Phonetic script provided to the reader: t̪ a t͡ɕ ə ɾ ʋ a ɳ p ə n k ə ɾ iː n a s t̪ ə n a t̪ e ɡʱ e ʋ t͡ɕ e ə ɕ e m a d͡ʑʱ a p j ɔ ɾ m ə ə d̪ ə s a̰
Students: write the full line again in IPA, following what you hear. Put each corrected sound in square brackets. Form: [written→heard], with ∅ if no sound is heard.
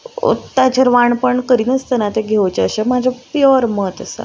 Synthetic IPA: t̪ a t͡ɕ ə ɾ ʋ a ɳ p ə [n→ɳ] k ə ɾ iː n [a→ə] s t̪ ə n a t̪ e ɡʱ e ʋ t͡ɕ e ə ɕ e m a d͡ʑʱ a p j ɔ ɾ m ə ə [d̪→t̪] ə s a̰

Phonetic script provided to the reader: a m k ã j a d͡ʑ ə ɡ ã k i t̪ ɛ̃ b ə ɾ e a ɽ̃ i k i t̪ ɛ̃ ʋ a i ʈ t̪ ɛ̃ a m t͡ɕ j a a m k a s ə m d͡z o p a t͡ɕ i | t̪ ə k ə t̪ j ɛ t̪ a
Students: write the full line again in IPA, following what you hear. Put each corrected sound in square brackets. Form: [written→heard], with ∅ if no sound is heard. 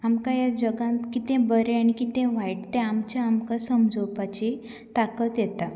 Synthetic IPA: a m k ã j a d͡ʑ ə ɡ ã k i t̪ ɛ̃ b ə ɾ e a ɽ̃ i k i t̪ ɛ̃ ʋ a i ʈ t̪ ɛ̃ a m t͡ɕ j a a m k a s ə m d͡z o p a t͡ɕ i | t̪ [ə→a] k ə t̪ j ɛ t̪ a

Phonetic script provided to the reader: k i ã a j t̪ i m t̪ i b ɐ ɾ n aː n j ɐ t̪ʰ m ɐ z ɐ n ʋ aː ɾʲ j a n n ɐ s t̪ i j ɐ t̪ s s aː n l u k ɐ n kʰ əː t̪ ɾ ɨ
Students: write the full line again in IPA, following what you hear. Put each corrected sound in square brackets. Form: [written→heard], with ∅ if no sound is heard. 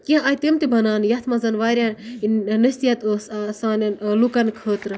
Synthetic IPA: k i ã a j t̪ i m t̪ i b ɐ [ɾ→∅] n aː n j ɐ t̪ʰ m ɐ z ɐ n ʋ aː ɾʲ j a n n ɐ s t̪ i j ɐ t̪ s s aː n l u k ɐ n kʰ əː t̪ ɾ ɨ

